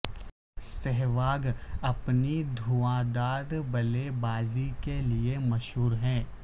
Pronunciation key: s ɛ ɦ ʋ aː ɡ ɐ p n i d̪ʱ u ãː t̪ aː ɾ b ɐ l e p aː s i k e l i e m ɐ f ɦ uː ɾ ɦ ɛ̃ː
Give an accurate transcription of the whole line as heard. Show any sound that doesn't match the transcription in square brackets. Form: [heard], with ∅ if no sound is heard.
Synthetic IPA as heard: s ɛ ɦ ʋ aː ɡ ɐ p n i d̪ʱ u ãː [d̪] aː ɾ b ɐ l e [b] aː [z] i k e l i e m ɐ [ʃ] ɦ uː ɾ ɦ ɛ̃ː